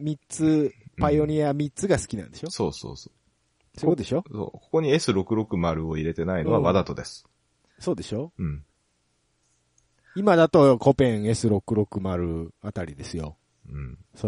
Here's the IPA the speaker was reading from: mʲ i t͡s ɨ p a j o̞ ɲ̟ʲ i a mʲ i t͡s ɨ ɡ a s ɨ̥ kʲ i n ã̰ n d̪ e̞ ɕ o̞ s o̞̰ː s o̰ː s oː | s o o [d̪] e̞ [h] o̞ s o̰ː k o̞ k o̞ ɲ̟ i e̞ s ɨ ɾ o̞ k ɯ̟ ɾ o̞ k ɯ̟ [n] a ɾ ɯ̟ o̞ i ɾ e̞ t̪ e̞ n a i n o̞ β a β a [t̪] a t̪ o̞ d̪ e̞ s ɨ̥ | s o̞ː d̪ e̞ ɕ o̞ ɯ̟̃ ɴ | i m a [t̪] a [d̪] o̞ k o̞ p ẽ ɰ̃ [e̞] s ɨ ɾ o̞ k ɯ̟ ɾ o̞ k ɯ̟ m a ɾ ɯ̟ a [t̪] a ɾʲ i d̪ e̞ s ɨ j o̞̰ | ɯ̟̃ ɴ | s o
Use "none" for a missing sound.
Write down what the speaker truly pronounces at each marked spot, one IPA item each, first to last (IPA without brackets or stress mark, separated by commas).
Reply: d̪, ɕ, m, d̪, d̪, t̪, e̞, t̪